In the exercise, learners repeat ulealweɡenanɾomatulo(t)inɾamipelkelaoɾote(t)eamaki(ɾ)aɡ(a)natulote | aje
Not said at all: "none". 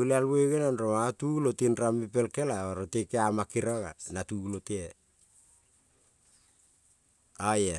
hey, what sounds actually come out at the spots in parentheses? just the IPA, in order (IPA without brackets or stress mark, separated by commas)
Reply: t, k, ɾ, a